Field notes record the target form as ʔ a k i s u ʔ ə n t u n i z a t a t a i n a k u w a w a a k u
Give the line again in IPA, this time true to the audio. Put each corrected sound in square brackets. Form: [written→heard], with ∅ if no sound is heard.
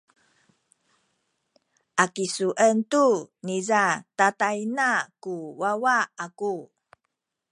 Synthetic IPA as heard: ʔ a k i s u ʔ ə n t u n i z a t a t a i n a k u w a w a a k u

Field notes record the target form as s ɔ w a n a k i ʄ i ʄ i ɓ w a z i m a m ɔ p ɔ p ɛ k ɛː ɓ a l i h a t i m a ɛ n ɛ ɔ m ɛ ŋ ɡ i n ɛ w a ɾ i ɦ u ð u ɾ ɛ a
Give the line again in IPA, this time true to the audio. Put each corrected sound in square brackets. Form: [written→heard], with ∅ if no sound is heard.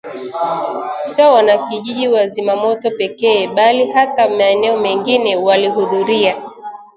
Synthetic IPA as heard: s ɔ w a n a k i ʄ i ʄ i [ɓ→∅] w a z i m a m ɔ [p→t] ɔ p ɛ k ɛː ɓ a l i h a t [i→a] m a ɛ n ɛ ɔ m ɛ ŋ ɡ i n ɛ w a [ɾ→l] i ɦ u ð u ɾ [ɛ→i] a

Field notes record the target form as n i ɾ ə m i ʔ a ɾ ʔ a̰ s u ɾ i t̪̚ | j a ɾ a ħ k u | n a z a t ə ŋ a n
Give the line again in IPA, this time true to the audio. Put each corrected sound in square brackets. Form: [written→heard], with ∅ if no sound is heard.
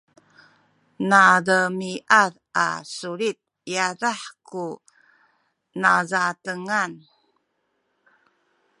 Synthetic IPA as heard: n [i→a] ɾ ə m i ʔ a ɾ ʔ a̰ s u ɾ i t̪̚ | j a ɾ a ħ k u | n a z a t ə ŋ a n

